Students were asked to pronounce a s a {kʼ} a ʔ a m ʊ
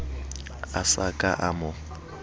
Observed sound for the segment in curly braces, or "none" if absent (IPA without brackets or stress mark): kʼ